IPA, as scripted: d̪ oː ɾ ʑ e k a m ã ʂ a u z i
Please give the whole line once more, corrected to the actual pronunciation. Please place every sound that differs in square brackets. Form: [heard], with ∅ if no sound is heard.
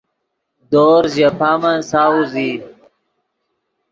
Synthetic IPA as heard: d̪ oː ɾ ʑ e [p] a m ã [s] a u z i